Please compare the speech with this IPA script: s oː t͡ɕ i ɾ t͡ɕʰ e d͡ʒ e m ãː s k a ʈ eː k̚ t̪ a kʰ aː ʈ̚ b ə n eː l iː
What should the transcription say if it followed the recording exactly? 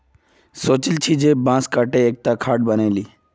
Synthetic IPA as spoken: s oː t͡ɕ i l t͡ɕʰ i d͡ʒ e b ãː s k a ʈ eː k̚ t̪ a kʰ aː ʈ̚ b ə n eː l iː